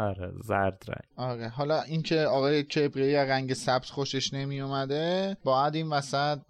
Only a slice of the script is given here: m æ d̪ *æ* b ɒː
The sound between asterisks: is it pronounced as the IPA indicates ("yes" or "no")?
no